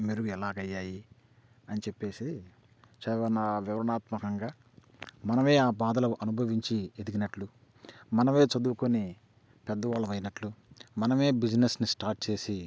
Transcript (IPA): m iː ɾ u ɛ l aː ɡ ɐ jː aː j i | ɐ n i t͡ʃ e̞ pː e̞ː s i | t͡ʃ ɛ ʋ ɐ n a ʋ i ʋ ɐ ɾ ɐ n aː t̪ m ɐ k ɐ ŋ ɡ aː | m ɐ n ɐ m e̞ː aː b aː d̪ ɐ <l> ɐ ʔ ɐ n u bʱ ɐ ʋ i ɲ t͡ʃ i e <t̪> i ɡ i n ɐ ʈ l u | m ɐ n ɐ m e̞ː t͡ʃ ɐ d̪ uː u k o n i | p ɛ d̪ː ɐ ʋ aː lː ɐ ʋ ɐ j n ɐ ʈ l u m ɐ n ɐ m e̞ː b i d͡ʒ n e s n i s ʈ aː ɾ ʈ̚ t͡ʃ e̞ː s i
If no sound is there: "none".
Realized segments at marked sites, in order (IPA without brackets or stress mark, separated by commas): l, d̪